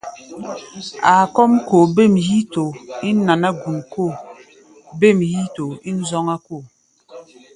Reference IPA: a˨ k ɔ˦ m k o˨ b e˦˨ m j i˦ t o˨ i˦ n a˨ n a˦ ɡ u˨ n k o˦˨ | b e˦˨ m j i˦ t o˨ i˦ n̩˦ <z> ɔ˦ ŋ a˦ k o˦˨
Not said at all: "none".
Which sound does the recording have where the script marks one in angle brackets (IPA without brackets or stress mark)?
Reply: z